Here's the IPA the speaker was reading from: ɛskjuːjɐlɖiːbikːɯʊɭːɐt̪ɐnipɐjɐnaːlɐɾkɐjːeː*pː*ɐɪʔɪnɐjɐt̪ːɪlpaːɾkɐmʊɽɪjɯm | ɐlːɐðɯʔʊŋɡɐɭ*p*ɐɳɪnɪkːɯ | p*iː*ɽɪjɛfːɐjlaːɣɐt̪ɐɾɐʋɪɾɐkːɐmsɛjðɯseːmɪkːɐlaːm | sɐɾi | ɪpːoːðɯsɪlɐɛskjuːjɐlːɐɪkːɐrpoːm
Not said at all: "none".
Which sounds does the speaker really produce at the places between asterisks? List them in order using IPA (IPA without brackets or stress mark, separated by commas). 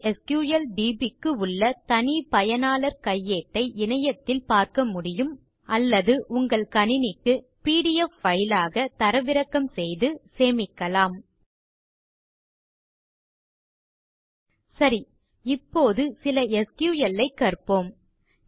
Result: ʈː, k, iː